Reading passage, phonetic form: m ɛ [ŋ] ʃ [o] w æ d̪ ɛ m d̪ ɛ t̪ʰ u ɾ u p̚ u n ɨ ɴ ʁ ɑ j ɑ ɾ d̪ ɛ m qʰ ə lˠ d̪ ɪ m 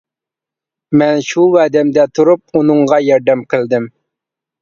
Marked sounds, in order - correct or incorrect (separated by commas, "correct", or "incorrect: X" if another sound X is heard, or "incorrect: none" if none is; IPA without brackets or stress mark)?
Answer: incorrect: n, incorrect: u